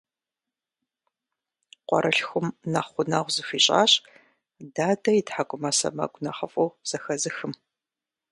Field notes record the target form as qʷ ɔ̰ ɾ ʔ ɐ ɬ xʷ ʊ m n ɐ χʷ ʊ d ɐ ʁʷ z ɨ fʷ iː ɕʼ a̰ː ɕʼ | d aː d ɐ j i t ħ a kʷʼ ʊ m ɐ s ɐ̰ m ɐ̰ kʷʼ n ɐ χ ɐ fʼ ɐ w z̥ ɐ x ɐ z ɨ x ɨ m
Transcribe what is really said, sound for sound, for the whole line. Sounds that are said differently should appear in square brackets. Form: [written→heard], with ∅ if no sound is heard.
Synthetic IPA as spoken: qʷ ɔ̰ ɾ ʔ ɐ ɬ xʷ ʊ m n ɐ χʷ ʊ [d→n] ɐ ʁʷ z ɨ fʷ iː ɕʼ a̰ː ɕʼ | d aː d ɐ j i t ħ a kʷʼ ʊ m ɐ s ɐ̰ m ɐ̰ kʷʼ n ɐ χ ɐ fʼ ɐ w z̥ ɐ x ɐ z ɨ x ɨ m